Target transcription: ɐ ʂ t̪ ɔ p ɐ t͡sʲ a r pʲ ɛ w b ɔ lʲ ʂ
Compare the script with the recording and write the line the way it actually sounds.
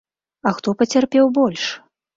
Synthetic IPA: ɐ x t̪ ɔ p ɐ t͡sʲ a r pʲ ɛ w b ɔ lʲ ʂ